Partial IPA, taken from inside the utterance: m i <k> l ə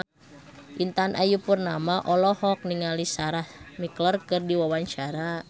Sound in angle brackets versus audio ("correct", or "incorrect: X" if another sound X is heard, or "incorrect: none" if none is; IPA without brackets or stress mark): correct